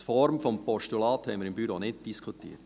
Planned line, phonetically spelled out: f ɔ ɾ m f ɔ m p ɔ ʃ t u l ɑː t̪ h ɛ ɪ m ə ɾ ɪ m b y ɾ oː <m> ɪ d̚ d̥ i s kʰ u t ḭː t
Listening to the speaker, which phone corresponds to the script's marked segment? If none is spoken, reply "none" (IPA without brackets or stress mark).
n